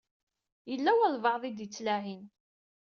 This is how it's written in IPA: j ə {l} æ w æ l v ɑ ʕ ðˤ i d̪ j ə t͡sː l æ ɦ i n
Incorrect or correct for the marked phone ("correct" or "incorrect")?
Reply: incorrect